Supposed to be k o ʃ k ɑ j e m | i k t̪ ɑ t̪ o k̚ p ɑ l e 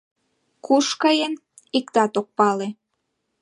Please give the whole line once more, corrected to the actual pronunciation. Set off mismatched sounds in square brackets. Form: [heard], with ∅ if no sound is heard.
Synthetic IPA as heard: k [u] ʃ k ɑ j e [n] | i k t̪ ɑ t̪ o k̚ p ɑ l e